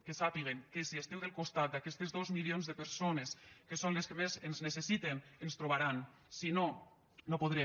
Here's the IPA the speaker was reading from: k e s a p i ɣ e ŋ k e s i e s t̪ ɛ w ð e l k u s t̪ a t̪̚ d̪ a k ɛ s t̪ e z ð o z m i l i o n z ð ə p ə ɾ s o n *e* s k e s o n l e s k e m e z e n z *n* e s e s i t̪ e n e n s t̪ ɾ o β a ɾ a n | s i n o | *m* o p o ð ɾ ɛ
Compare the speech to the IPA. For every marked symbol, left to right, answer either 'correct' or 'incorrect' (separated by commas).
correct, correct, incorrect